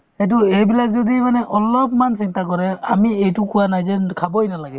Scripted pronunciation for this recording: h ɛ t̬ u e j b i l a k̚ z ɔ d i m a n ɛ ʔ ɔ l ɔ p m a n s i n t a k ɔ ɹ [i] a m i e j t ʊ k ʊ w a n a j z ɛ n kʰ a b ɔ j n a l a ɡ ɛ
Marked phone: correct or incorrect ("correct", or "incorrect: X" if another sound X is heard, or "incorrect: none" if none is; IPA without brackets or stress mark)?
incorrect: ɛ